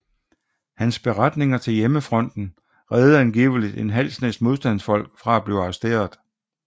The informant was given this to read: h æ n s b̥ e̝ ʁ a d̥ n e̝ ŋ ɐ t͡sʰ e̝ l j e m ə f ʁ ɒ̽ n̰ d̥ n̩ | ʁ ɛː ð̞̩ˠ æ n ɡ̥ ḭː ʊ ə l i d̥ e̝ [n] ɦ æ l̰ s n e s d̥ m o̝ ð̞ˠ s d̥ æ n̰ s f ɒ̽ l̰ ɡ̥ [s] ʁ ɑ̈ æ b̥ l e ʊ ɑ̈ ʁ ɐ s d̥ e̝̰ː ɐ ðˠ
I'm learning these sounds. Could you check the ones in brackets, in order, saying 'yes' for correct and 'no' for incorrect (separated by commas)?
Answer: yes, no